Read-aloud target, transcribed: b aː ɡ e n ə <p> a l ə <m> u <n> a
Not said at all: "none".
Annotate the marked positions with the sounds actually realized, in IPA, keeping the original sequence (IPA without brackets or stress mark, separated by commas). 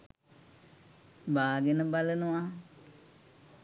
b, n, none